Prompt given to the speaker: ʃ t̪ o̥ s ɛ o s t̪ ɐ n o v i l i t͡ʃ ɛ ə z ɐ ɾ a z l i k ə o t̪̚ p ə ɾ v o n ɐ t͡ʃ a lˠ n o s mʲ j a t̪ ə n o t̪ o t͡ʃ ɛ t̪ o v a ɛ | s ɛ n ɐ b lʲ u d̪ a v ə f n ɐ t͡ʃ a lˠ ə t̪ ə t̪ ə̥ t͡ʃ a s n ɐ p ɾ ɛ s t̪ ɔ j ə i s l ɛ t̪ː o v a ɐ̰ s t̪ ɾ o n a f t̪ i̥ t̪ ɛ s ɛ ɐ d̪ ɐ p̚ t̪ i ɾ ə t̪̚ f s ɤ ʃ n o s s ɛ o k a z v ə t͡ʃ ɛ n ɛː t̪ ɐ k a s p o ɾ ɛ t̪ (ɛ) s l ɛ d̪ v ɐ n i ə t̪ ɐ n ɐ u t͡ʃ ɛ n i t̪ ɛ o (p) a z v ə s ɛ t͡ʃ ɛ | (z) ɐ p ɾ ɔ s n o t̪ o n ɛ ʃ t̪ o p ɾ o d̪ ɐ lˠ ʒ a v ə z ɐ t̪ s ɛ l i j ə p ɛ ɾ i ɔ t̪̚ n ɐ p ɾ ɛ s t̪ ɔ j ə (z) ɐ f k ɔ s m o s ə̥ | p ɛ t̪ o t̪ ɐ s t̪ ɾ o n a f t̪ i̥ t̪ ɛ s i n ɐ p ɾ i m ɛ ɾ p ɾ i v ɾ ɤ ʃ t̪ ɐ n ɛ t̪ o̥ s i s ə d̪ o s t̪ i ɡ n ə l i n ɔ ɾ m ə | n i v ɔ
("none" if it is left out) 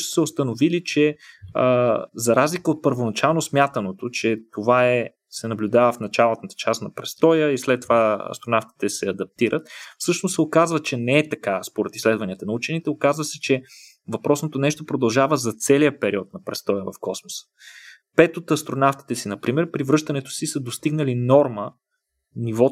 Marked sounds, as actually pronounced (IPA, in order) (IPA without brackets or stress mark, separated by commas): i, k, v, v